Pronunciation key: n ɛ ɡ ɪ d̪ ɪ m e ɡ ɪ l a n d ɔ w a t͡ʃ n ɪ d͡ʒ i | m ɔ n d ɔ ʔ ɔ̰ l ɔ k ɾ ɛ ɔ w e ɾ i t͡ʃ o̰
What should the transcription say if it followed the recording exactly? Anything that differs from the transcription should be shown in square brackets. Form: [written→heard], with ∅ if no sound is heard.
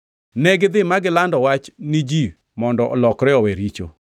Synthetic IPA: n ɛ ɡ ɪ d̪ ɪ m [e→a] ɡ ɪ l a n d ɔ w a t͡ʃ n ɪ d͡ʒ i | m ɔ n d ɔ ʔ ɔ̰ l ɔ k ɾ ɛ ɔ w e ɾ i t͡ʃ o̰

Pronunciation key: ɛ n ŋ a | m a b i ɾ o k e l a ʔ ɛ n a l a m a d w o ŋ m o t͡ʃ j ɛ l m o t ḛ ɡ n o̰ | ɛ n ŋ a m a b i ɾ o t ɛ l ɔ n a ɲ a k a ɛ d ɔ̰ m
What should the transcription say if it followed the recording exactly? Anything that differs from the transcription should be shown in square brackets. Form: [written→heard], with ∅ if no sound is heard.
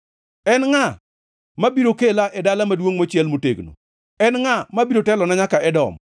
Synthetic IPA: ɛ n ŋ a | m a b i ɾ o k e l a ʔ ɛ [n→d] a l a m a d w o ŋ m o t͡ʃ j ɛ l m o t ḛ ɡ n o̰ | ɛ n ŋ a m a b i ɾ o t ɛ l ɔ n a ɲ a k a ɛ d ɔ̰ m

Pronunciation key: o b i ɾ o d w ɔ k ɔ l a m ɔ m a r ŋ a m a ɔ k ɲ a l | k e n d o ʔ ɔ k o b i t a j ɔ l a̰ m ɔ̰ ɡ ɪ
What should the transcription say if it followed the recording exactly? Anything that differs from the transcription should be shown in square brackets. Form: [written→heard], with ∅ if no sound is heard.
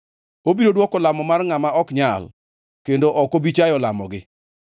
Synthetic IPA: o b i ɾ o d w ɔ k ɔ l a m ɔ m a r ŋ a m a ɔ k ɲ a l | k e n d o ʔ ɔ k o b i [t→t͡ʃ] a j ɔ l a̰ m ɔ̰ ɡ ɪ

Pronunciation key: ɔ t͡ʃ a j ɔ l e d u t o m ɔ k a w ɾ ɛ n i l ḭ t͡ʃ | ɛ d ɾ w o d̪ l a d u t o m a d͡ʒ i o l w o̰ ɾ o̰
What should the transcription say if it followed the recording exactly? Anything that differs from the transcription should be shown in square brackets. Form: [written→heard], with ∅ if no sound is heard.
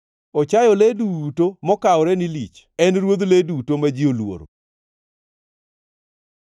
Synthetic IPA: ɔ t͡ʃ a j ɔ l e d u t o m ɔ k a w ɾ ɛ n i l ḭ t͡ʃ | ɛ [d→n] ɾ w o d̪ l [a→e] d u t o m a d͡ʒ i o l w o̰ ɾ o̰

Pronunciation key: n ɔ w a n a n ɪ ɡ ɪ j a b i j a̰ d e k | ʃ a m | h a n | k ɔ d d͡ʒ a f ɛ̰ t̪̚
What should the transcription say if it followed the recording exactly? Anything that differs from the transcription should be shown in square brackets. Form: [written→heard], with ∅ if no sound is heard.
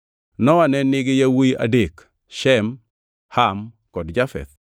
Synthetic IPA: n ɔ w a n [a→ɛ] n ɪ ɡ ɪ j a [b→w] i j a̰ d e k | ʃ [a→ɛ] m | h a [n→m] | k ɔ d d͡ʒ a f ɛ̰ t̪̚

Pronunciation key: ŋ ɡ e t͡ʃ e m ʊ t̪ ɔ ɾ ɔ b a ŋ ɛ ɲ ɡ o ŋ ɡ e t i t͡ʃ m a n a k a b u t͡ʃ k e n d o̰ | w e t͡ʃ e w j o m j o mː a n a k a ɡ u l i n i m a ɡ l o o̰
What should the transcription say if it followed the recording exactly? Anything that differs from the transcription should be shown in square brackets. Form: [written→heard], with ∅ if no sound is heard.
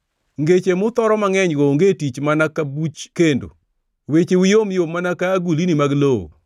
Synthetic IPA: ŋ ɡ e t͡ʃ e m ʊ t̪ ɔ ɾ ɔ [b→m] a ŋ ɛ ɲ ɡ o ŋ ɡ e t i t͡ʃ m a n a k a b u t͡ʃ k e n d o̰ | w e t͡ʃ e w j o m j o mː a n a k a ɡ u l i n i m a ɡ l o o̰

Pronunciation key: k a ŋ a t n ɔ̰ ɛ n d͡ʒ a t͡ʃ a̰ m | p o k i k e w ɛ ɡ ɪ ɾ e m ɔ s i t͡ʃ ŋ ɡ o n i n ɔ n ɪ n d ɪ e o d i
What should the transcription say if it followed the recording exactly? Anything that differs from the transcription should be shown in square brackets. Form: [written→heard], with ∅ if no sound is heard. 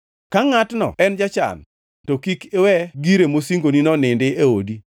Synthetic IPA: k a ŋ a t n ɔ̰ ɛ n d͡ʒ a t͡ʃ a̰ [m→n] | [p→t] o k i k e w ɛ ɡ [ɪ→i] ɾ e m [ɔ→o] s i [t͡ʃ→∅] ŋ ɡ o n i n ɔ n ɪ n d ɪ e o d i

